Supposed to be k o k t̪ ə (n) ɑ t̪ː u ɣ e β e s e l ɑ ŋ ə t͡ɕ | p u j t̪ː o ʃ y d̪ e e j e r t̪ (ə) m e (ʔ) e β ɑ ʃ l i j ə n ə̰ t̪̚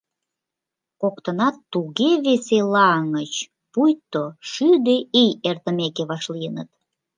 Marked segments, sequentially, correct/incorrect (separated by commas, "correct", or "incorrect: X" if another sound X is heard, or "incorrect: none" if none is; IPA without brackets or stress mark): correct, correct, incorrect: k